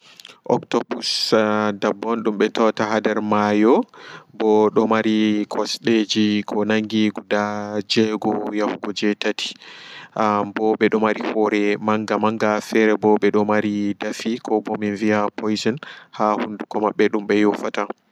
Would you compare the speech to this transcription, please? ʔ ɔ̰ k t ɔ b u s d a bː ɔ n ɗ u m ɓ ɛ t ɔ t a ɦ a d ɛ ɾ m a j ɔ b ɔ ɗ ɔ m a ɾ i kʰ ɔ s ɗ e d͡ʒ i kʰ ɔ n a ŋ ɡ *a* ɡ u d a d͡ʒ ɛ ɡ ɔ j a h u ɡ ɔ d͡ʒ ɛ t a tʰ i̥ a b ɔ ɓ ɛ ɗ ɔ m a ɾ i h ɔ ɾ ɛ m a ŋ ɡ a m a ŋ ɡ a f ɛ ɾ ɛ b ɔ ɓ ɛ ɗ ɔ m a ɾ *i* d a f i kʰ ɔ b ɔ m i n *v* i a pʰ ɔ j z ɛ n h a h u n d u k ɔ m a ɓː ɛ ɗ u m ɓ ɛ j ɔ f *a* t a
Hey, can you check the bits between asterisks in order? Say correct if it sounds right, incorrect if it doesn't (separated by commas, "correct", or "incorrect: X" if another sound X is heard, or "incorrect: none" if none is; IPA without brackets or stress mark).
incorrect: i, correct, correct, correct